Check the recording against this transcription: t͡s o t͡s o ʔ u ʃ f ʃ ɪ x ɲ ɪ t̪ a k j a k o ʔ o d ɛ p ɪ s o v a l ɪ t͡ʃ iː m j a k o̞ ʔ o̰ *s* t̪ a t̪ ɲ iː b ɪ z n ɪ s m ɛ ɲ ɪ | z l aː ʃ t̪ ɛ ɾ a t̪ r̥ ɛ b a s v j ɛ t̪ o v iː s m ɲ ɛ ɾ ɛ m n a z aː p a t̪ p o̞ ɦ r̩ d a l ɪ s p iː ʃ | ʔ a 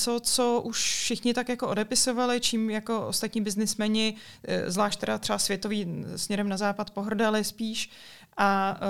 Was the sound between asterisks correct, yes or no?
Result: yes